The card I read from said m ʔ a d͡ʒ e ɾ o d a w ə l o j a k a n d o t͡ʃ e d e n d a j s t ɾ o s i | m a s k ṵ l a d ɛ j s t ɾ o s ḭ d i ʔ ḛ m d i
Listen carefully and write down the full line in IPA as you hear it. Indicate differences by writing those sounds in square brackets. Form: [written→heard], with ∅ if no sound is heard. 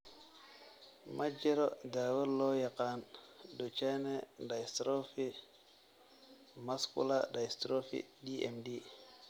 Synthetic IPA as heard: m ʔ a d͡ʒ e ɾ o d a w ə l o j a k a n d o t͡ʃ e [d→n] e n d a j s t ɾ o [s→f] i | m a s k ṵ l a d [ɛ→a] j s t ɾ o [s→f] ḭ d i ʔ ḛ m d i

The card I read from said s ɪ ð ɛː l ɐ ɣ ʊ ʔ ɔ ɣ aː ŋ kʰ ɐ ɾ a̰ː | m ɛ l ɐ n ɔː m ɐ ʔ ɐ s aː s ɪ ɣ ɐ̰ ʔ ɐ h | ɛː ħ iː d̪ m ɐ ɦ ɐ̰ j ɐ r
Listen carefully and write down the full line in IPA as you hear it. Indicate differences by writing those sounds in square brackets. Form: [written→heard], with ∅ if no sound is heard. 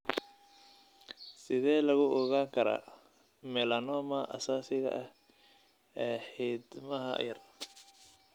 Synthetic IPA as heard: s ɪ ð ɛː l ɐ ɣ ʊ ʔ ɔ ɣ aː ŋ kʰ ɐ ɾ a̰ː | m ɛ l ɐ n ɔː m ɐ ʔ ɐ s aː s ɪ ɣ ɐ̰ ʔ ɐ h | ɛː ħ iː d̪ m ɐ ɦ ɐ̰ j ɐ r

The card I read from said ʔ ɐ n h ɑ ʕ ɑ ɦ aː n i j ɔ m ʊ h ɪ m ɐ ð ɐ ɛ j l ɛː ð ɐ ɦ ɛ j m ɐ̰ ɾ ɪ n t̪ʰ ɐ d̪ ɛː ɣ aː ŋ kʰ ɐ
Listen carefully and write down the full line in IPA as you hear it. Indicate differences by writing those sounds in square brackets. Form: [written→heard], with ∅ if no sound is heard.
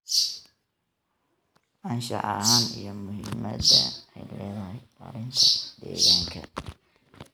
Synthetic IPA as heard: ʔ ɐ n [h→ʃ] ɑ ʕ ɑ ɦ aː n i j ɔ m ʊ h ɪ m ɐ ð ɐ ɛ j l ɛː ð ɐ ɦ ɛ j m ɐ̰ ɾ ɪ n t̪ʰ ɐ d̪ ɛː ɣ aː ŋ kʰ ɐ

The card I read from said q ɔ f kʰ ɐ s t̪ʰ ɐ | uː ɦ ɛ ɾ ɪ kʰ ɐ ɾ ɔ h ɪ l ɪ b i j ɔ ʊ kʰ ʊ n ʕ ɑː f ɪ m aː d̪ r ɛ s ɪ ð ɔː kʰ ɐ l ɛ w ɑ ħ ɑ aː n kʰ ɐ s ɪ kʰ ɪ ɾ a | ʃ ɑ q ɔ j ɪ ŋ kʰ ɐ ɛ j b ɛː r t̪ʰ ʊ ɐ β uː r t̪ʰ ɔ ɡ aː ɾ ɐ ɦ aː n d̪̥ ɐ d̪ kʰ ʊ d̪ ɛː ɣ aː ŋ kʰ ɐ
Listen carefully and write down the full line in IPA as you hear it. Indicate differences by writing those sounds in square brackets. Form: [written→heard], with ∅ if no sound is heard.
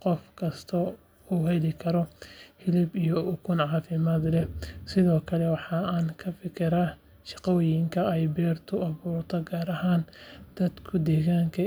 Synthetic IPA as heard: q ɔ f kʰ ɐ s t̪ʰ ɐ | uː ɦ ɛ [ɾ→l] ɪ kʰ ɐ ɾ ɔ h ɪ l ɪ b i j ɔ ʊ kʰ ʊ n ʕ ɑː f ɪ m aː d̪ [r→l] ɛ s ɪ ð ɔː kʰ ɐ l ɛ w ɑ ħ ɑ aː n kʰ ɐ [s→f] ɪ kʰ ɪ ɾ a | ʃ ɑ q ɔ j ɪ ŋ kʰ ɐ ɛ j b ɛː r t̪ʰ ʊ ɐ β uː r t̪ʰ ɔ ɡ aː ɾ ɐ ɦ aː n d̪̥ ɐ d̪ kʰ ʊ d̪ ɛː ɣ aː ŋ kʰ ɐ

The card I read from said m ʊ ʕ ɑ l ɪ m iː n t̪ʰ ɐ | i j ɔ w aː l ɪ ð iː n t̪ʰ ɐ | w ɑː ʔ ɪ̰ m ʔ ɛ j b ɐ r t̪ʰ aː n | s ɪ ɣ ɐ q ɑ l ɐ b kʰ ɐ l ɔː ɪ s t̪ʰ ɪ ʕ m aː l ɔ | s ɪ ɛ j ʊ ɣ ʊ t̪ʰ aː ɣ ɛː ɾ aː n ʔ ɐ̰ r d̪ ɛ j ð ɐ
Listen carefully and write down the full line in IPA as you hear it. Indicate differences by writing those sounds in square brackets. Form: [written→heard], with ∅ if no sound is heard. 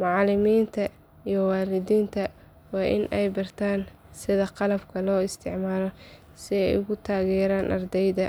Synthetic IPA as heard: m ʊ ʕ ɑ l ɪ m iː n t̪ʰ ɐ | i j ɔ w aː l ɪ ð iː n t̪ʰ ɐ | w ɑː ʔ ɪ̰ [m→n] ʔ ɛ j b ɐ r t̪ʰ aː n | s ɪ [ɣ→ð] ɐ q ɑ l ɐ b kʰ ɐ l ɔː ɪ s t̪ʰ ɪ ʕ m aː l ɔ | s ɪ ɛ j ʊ ɣ ʊ t̪ʰ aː ɣ ɛː ɾ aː n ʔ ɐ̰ r d̪ ɛ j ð ɐ

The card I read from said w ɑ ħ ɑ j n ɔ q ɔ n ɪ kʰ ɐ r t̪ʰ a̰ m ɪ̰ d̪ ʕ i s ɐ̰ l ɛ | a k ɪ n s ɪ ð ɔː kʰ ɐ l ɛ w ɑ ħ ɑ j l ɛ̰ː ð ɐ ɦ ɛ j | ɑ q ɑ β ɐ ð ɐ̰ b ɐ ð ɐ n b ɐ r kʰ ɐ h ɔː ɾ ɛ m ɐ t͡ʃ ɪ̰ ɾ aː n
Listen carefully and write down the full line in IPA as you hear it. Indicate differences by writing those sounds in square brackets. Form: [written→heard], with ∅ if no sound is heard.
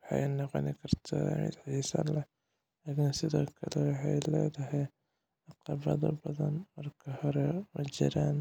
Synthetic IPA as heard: w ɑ ħ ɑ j n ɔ q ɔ n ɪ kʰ ɐ r t̪ʰ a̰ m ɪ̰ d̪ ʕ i s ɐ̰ l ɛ | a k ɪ n s ɪ ð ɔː kʰ ɐ l ɛ w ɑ ħ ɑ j l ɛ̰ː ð ɐ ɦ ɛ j | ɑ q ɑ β ɐ ð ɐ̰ b ɐ ð ɐ n [b→m] ɐ r kʰ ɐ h [ɔː→ɔ] ɾ ɛ m ɐ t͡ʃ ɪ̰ ɾ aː n

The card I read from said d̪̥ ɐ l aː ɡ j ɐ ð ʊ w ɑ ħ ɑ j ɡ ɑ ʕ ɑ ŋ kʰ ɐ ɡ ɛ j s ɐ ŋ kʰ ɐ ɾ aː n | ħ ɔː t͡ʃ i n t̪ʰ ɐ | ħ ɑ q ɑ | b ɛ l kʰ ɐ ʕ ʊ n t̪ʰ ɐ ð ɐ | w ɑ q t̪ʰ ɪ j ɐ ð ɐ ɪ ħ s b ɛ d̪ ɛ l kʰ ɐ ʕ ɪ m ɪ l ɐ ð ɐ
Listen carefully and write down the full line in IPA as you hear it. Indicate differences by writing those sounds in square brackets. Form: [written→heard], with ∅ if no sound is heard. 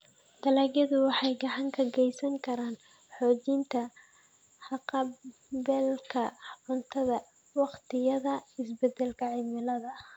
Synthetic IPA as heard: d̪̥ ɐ l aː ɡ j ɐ ð ʊ w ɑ ħ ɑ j ɡ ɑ ʕ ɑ ŋ kʰ ɐ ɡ ɛ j s ɐ ŋ kʰ ɐ ɾ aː n | ħ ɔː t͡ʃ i n t̪ʰ ɐ | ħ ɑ q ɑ | b ɛ l kʰ ɐ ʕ ʊ n t̪ʰ ɐ ð ɐ | w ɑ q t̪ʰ ɪ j ɐ ð ɐ ɪ [ħ→∅] s b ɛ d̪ ɛ l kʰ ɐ ʕ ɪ m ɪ l ɐ ð ɐ

